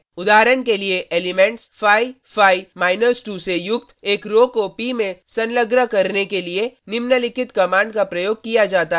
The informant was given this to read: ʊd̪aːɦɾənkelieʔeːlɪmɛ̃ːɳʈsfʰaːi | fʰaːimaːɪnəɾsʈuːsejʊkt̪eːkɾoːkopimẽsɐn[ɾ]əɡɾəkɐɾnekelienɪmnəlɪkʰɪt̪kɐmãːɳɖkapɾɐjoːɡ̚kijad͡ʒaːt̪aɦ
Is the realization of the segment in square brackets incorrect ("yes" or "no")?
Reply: yes